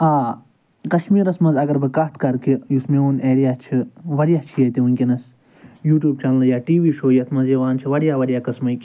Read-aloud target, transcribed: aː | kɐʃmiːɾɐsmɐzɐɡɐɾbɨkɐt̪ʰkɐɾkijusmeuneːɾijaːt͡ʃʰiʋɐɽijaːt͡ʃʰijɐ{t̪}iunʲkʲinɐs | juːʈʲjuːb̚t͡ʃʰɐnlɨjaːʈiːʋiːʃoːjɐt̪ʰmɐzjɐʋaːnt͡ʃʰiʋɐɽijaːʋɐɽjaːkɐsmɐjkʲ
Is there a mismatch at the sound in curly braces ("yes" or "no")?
no